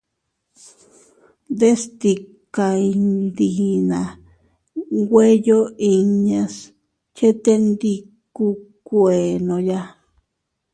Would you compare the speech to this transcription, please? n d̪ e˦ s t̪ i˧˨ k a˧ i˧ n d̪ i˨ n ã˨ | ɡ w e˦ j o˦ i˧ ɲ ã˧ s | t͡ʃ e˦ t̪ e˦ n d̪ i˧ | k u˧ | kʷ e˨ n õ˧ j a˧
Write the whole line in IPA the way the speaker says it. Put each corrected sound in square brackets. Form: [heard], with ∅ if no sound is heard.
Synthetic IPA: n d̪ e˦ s t̪ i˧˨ k a˧ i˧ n d̪ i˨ n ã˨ | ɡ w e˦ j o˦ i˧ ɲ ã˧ s | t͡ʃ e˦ t̪ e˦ n d̪ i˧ | k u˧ | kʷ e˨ n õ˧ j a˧